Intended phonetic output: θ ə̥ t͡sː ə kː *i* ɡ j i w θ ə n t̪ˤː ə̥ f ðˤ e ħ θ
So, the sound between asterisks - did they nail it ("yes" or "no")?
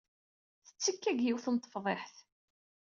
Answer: no